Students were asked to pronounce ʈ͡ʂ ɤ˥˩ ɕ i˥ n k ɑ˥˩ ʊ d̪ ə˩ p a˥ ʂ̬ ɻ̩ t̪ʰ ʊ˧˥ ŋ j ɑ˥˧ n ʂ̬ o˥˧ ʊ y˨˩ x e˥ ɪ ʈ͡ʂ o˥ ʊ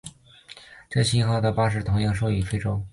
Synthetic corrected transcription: ʈ͡ʂ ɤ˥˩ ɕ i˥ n x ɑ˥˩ ʊ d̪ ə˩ p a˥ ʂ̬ ɻ̩ t̪ʰ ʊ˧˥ ŋ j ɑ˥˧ ŋ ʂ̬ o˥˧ ʊ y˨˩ f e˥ ɪ ʈ͡ʂ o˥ ʊ

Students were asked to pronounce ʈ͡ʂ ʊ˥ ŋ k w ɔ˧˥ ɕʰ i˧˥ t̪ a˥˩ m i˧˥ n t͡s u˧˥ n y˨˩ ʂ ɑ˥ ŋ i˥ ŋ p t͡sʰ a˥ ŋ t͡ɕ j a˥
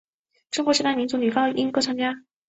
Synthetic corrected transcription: ʈ͡ʂ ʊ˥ ŋ k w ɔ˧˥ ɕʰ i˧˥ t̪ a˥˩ m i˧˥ n t͡s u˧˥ n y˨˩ f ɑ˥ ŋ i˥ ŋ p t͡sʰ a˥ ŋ t͡ɕ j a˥

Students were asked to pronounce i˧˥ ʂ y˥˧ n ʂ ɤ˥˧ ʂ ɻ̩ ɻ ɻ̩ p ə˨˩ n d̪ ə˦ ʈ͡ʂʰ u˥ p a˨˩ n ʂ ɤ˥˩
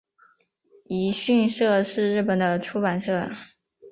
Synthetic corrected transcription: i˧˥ ɕ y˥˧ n ʂ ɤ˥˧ ʂ ɻ̩ ɻ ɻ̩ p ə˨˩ n d̪ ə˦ ʈ͡ʂʰ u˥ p a˨˩ n ʂ ɤ˥˩

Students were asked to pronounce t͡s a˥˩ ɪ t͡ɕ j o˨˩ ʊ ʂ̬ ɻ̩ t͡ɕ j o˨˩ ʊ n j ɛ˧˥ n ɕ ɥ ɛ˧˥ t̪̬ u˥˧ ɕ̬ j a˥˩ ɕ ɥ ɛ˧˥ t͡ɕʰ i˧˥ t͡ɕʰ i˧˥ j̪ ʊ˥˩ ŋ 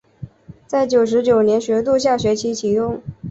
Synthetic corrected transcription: t͡s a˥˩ ɪ t͡ɕ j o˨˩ ʊ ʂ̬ ɻ̩ t͡ɕ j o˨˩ ʊ n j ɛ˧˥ n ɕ ɥ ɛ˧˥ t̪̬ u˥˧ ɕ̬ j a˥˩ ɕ ɥ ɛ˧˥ t͡ɕʰ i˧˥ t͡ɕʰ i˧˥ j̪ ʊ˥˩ ŋ

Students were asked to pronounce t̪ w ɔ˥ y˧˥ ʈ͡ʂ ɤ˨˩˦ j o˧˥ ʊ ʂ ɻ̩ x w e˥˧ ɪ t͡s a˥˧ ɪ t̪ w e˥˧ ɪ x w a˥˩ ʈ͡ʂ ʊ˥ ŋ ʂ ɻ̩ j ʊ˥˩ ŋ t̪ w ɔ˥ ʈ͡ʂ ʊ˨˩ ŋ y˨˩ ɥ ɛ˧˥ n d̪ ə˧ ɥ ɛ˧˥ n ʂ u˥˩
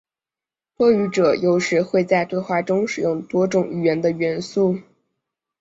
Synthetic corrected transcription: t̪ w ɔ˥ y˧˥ ʈ͡ʂ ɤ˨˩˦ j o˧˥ ʊ ʂ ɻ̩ x w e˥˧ ɪ t͡s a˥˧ ɪ t̪ w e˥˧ ɪ x w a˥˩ ʈ͡ʂ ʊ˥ ŋ ʂ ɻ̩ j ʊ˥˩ ŋ t̪ w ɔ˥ ʈ͡ʂ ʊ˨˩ ŋ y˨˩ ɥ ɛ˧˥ n d̪ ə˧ ɥ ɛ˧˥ n s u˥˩

